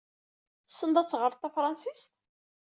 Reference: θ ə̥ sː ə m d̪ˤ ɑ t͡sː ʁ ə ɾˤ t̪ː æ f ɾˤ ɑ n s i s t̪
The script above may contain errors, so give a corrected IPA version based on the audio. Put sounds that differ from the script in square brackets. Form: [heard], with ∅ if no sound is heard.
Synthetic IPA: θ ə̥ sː ə [n] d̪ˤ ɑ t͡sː ʁ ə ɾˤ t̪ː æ f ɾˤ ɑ n s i s t̪